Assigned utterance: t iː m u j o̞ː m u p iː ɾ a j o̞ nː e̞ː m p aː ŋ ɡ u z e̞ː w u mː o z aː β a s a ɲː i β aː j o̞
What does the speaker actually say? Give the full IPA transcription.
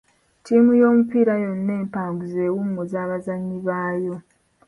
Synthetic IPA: t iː m u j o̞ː m u p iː ɾ a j o̞ nː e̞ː m p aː ŋ ɡ u z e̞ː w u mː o z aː β a z a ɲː i β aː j o̞